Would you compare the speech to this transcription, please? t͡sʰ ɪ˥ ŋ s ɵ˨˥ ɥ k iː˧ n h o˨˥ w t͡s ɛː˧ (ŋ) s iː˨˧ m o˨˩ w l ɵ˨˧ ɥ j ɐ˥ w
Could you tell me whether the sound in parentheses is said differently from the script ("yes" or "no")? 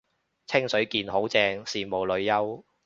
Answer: no